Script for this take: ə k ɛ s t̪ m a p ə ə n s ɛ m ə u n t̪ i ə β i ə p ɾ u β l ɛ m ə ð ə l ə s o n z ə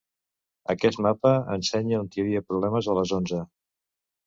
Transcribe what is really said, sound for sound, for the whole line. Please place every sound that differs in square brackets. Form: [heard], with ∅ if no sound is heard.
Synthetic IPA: ə k ɛ s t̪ m a p ə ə n s ɛ [ɲ] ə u n t̪ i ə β i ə p ɾ u β l ɛ m ə [z] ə l ə [z] o n z ə